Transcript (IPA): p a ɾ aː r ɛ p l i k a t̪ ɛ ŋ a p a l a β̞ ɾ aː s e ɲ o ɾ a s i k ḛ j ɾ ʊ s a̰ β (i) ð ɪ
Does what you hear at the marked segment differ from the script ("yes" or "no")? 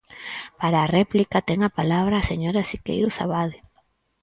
yes